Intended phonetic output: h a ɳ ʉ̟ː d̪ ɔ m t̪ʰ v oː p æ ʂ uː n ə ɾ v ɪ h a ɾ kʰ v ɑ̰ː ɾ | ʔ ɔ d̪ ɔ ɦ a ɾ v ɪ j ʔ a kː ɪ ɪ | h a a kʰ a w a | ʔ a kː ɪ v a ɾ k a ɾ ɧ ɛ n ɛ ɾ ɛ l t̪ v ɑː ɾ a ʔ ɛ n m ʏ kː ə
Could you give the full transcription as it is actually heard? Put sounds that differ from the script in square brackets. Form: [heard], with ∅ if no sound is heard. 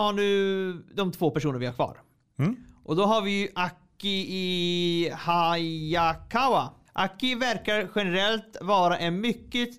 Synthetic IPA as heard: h a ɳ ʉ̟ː d̪ ɔ m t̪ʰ v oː p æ ʂ uː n ə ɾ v ɪ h a ɾ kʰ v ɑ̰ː ɾ | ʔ ɔ d̪ ɔ ɦ a ɾ v ɪ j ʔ a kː ɪ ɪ | h a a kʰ a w a | ʔ a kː ɪ v [æ] ɾ k a ɾ ɧ ɛ n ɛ ɾ ɛ l t̪ v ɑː ɾ a ʔ ɛ n m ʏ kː ə